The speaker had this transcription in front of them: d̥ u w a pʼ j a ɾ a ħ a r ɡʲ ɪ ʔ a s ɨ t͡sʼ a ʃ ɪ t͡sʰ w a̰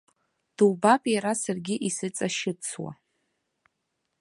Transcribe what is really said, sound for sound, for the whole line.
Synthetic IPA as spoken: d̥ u b a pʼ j a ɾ a s a r ɡʲ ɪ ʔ i s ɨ t͡sʼ a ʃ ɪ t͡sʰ w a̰